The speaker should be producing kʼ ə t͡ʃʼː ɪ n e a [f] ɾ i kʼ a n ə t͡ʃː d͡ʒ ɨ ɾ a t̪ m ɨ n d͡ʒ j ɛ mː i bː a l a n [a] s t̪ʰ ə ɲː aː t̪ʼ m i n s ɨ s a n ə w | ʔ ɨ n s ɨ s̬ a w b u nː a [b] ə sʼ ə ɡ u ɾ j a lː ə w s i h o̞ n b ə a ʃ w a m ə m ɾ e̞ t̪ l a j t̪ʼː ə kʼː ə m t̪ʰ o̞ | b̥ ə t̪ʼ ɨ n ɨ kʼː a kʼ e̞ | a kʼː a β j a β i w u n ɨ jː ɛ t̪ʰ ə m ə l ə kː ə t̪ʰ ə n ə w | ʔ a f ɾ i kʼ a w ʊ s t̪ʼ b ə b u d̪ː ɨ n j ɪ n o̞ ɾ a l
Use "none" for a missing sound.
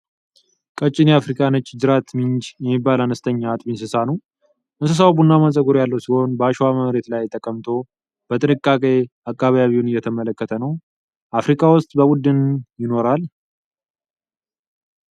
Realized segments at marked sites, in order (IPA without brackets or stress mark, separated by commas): f, ə, m